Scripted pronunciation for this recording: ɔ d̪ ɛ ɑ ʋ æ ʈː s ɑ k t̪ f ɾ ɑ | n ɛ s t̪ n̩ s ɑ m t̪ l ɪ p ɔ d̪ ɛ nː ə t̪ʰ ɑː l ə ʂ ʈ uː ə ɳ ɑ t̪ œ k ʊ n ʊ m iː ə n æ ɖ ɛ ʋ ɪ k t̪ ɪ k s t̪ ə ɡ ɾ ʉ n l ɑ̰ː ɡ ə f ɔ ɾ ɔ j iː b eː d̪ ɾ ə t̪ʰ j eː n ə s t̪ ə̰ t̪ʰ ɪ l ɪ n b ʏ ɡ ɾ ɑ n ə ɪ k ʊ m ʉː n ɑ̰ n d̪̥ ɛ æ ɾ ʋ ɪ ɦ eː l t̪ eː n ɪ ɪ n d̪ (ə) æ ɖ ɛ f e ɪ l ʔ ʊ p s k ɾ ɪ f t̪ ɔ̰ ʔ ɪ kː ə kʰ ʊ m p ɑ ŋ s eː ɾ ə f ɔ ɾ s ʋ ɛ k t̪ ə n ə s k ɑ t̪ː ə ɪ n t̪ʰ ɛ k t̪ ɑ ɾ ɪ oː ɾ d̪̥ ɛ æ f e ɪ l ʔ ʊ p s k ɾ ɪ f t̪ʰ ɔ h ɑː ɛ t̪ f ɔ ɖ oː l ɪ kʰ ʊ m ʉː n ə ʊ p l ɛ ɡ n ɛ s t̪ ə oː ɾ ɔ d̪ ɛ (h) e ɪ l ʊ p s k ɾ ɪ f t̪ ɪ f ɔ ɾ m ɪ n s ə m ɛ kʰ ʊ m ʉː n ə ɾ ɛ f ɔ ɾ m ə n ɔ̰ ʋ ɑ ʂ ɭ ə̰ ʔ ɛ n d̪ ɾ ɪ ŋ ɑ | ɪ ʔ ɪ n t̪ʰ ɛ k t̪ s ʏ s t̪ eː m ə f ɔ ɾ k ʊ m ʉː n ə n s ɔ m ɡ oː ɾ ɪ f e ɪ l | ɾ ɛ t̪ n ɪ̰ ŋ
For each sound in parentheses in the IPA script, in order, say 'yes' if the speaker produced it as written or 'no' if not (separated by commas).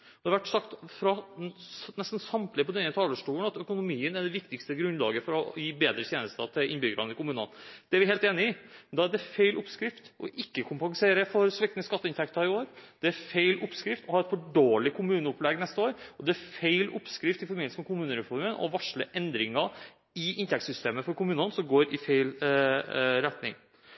no, no